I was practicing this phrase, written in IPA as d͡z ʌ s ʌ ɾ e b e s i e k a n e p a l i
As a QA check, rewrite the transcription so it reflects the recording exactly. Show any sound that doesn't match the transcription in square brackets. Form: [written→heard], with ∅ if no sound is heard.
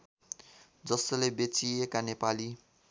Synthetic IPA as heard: d͡z ʌ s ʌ [ɾ→l] e b e [s→t͡s] i e k a n e p a l i